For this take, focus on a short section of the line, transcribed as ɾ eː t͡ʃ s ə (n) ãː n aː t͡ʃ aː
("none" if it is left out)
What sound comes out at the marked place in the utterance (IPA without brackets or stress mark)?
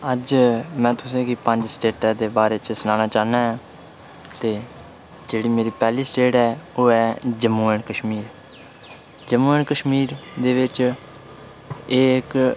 n